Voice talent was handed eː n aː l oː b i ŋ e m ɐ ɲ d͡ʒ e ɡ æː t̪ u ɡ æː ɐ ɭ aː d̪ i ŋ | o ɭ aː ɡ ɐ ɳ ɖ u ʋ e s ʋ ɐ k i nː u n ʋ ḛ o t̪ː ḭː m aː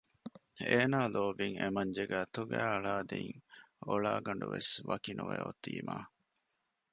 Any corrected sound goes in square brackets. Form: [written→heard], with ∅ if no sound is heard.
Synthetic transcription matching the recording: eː n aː l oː b i ŋ e m ɐ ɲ d͡ʒ e ɡ æː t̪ u ɡ æː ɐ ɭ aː d̪ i ŋ | o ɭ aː ɡ ɐ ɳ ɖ u ʋ e s ʋ ɐ k i [nː→n] u [n→∅] ʋ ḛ o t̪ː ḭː m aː

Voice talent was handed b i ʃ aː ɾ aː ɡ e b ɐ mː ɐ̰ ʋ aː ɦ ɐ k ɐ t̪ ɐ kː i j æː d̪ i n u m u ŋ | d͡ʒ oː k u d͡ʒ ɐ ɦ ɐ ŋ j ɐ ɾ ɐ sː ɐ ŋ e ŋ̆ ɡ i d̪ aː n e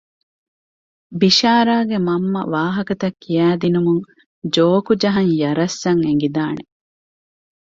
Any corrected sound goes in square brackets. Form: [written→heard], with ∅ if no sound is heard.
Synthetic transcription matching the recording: b i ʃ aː ɾ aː ɡ e [b→m] ɐ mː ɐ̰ ʋ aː ɦ ɐ k ɐ t̪ ɐ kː i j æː d̪ i n u m u ŋ | d͡ʒ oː k u d͡ʒ ɐ ɦ ɐ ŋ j ɐ ɾ ɐ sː ɐ ŋ e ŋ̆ ɡ i d̪ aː n e

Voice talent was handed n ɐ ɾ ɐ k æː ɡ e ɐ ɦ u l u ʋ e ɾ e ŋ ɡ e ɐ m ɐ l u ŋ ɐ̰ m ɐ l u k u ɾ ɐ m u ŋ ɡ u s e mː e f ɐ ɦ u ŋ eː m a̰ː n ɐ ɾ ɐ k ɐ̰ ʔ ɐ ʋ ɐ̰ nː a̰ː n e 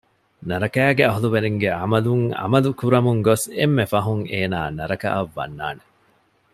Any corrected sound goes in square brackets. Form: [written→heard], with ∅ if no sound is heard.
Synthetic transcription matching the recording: n ɐ ɾ ɐ k æː ɡ e ɐ ɦ u l u ʋ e ɾ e ŋ ɡ e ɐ m ɐ l u ŋ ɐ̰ m ɐ l u k u ɾ ɐ m u ŋ ɡ [u→o] s e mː e f ɐ ɦ u ŋ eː [m→n] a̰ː n ɐ ɾ ɐ k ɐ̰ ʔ ɐ [ʋ→ʋː] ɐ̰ nː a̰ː n e

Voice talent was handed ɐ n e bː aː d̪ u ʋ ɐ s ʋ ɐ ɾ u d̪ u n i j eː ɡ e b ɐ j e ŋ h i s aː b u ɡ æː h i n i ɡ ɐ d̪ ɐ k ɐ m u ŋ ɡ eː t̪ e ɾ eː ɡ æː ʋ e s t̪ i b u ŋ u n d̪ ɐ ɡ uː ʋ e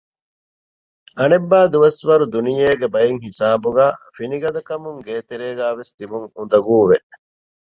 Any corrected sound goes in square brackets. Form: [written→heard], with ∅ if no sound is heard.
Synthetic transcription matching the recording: ɐ n e bː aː d̪ u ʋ ɐ s ʋ ɐ ɾ u d̪ u n i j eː ɡ e b ɐ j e ŋ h i s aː b u ɡ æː [h→f] i n i ɡ ɐ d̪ ɐ k ɐ m u ŋ ɡ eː t̪ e ɾ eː ɡ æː ʋ e s t̪ i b u ŋ u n d̪ ɐ ɡ uː ʋ e

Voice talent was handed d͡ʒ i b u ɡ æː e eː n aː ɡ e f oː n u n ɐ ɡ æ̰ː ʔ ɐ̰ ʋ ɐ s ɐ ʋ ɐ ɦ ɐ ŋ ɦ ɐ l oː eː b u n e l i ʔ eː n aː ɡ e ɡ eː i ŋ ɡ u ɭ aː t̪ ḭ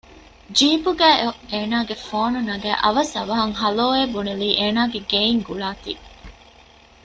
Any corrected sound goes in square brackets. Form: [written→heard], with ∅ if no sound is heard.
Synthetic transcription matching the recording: d͡ʒ [i→iː] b u ɡ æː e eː n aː ɡ e f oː n u n ɐ ɡ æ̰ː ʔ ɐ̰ ʋ ɐ s ɐ ʋ ɐ ɦ ɐ ŋ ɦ ɐ l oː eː b u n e l [i→iː] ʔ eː n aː ɡ e ɡ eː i ŋ ɡ u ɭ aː t̪ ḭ

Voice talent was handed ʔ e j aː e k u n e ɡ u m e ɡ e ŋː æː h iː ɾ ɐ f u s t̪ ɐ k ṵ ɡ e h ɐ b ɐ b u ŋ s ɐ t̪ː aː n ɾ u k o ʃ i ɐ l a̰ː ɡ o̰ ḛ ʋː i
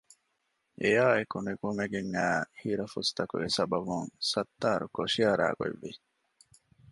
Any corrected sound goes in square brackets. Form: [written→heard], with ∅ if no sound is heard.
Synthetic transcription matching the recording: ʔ e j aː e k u n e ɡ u m e ɡ e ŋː æː h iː ɾ ɐ f u s t̪ ɐ k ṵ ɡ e [h→s] ɐ b ɐ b u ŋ s ɐ t̪ː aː [n→∅] ɾ u k o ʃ i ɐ [l→ɾ] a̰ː ɡ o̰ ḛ ʋː i

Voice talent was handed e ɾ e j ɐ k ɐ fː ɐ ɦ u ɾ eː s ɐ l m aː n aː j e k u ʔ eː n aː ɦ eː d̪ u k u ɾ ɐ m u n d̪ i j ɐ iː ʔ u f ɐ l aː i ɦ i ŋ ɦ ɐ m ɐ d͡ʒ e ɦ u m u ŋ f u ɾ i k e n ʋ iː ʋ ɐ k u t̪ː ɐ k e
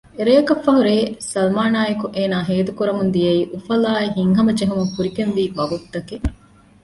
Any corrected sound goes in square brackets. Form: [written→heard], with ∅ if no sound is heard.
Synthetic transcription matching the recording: e ɾ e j ɐ k ɐ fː ɐ ɦ u ɾ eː s ɐ l m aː n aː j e k u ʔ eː n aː ɦ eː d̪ u k u ɾ ɐ m u n d̪ i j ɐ iː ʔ u f ɐ l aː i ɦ i ŋ ɦ ɐ m ɐ d͡ʒ e ɦ u m u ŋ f u ɾ i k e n ʋ iː ʋ ɐ [k→ɡ] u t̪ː ɐ k e

